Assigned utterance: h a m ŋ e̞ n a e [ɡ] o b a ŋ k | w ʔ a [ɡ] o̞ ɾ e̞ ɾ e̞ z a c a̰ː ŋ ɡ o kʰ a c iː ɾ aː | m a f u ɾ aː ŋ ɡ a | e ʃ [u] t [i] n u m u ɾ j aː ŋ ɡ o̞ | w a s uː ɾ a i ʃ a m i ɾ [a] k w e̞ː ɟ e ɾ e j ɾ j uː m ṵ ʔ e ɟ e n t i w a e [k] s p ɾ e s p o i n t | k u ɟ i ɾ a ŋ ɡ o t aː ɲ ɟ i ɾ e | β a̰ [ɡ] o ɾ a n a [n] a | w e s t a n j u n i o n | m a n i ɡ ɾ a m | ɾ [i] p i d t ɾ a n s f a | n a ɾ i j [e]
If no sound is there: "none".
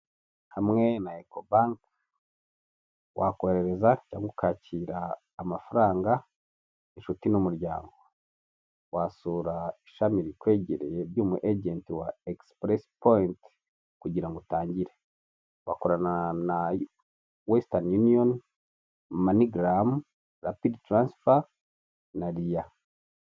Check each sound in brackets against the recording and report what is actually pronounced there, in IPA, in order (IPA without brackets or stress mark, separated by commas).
k, k, u, i, i, k, k, n, a, a